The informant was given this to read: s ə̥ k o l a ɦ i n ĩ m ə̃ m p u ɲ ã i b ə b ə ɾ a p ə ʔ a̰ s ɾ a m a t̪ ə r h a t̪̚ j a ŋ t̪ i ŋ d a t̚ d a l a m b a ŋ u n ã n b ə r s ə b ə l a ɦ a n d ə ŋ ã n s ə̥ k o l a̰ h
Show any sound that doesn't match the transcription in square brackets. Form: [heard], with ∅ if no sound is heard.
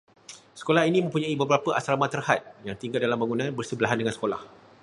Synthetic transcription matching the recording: s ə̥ k o l a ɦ i n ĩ m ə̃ m p u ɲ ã i b ə b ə ɾ a p ə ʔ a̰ s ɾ a m a t̪ ə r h a t̪̚ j a ŋ t̪ i ŋ [ɡ] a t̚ d a l a m b a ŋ u n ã n b ə r s ə b ə l a ɦ a n d ə ŋ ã n s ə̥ k o l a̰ h